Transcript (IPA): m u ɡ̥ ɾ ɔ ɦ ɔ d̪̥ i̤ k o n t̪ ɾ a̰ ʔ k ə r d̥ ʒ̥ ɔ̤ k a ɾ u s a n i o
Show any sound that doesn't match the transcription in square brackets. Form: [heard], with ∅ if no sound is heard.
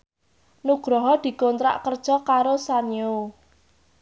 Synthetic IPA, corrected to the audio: [n] u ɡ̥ ɾ ɔ ɦ ɔ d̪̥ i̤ k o n t̪ ɾ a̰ ʔ k ə r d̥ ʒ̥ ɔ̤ k a ɾ [o] s a n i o